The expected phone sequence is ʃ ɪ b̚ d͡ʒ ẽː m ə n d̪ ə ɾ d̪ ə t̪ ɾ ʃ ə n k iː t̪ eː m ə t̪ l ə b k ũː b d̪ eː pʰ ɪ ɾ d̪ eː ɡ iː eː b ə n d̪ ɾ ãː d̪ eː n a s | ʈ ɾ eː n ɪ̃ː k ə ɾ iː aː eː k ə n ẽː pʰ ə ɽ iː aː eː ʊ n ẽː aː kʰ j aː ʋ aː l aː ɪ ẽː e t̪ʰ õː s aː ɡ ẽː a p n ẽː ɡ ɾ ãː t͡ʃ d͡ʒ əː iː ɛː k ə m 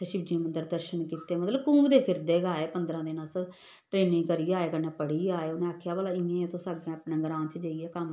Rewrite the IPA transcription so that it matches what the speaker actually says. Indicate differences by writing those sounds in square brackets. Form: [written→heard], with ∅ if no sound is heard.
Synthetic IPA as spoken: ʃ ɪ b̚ d͡ʒ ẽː m ə n d̪ ə ɾ d̪ ə [t̪→∅] ɾ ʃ ə n k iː t̪ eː m ə t̪ l ə b k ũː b d̪ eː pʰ ɪ ɾ d̪ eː ɡ [iː→aː] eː [b→p] ə n d̪ ɾ ãː d̪ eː n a s | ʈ ɾ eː n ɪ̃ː k ə ɾ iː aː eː k ə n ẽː [pʰ→p] ə ɽ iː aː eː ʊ n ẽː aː kʰ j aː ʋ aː l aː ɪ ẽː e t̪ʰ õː s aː ɡ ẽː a p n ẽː ɡ ɾ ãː t͡ʃ d͡ʒ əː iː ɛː k ə m